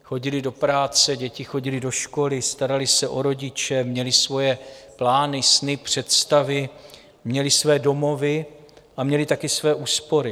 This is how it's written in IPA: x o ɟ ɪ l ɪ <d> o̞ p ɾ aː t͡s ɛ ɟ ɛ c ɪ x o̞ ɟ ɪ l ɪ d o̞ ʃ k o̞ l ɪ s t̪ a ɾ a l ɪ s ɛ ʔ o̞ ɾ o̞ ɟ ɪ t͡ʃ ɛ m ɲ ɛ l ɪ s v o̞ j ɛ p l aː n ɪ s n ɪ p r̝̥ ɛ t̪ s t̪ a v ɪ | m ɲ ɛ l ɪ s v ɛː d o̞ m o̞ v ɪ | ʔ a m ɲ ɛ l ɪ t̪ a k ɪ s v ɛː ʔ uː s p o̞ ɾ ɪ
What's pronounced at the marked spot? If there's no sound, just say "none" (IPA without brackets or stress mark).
d